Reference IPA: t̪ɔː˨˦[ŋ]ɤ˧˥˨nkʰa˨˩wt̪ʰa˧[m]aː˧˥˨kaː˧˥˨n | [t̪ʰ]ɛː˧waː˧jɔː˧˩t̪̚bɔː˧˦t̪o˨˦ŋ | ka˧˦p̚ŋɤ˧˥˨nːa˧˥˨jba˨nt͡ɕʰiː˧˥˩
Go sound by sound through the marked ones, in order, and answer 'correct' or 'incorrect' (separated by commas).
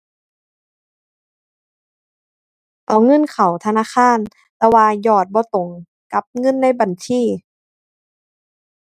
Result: correct, incorrect, incorrect